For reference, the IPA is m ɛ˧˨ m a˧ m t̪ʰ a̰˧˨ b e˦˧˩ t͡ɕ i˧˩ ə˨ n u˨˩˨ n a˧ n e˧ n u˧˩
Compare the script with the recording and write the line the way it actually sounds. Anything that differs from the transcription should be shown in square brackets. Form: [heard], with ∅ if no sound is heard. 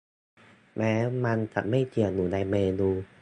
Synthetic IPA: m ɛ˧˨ m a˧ [n] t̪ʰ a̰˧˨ [m] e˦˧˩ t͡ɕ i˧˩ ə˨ n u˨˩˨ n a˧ [m] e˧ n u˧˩